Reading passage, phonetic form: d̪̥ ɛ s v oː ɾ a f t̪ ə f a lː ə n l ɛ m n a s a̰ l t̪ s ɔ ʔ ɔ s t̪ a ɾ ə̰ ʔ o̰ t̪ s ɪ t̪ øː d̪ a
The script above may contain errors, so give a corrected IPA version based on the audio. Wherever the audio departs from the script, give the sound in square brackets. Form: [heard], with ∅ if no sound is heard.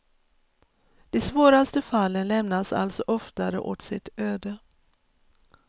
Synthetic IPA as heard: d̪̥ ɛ s v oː ɾ a [s] t̪ ə f a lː ə n l ɛ m n a s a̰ l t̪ s ɔ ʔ ɔ [f] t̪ a ɾ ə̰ ʔ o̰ t̪ s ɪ t̪ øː d̪ [ə]